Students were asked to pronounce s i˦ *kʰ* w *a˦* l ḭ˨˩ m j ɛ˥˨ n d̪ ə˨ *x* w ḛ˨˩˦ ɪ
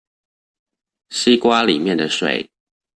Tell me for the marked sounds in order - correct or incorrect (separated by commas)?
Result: incorrect, correct, incorrect